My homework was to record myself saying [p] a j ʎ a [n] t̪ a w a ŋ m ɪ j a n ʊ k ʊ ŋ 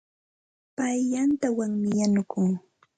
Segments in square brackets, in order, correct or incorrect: correct, correct

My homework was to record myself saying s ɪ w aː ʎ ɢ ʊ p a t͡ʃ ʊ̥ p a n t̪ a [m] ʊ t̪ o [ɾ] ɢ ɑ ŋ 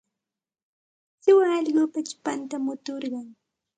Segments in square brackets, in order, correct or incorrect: correct, correct

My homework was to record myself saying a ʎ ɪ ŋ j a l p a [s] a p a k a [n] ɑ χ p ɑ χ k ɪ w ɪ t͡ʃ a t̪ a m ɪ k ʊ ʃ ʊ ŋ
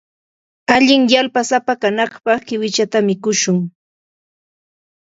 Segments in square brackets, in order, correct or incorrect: correct, correct

